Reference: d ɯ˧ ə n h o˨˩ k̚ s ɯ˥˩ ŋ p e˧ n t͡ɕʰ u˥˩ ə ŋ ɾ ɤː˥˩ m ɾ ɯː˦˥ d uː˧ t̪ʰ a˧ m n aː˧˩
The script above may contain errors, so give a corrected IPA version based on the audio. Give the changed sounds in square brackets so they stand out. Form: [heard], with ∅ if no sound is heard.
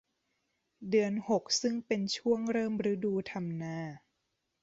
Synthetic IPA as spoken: d ɯ˧ ə n h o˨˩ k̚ s ɯ˥˩ ŋ p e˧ n t͡ɕʰ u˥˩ ə ŋ ɾ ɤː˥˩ m ɾ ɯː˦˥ d uː˧ t̪ʰ a˧ m n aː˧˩